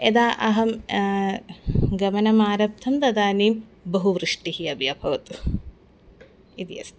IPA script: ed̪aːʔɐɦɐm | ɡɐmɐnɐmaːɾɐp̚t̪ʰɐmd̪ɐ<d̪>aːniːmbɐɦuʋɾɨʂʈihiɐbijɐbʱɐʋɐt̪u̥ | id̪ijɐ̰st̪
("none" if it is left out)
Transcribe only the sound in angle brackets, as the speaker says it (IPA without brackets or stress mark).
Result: d̪